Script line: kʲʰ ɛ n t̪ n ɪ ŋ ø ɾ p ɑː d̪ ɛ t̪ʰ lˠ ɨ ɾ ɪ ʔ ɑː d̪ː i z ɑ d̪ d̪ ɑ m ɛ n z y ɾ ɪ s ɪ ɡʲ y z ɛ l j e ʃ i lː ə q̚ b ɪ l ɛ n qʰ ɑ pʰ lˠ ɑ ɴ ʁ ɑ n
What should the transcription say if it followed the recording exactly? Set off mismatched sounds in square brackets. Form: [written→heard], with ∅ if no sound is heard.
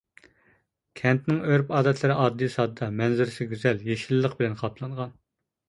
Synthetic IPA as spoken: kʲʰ ɛ n t̪ n ɪ ŋ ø ɾ p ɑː d̪ ɛ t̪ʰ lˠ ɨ ɾ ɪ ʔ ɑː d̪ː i [z→s] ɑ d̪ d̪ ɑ m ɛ n z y ɾ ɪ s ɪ ɡʲ y z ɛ l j e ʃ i lː ə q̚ b ɪ l ɛ n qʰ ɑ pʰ lˠ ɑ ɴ ʁ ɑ n